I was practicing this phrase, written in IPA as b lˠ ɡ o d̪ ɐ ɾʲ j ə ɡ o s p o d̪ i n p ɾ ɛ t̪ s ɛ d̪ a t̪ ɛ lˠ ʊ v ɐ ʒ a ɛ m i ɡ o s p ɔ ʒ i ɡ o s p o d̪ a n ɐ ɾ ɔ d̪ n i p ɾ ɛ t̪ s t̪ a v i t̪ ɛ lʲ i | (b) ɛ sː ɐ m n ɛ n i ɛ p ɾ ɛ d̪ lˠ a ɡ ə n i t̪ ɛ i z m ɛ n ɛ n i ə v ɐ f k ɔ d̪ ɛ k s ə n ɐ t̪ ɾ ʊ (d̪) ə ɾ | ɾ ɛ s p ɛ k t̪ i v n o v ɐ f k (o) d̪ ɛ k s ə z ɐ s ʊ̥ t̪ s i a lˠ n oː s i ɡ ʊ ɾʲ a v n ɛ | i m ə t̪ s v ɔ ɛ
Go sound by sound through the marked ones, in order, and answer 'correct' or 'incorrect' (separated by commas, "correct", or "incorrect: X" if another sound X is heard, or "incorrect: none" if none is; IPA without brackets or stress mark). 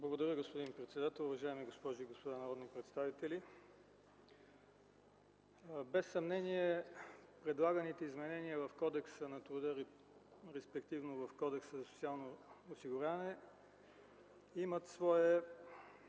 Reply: correct, correct, incorrect: ɔ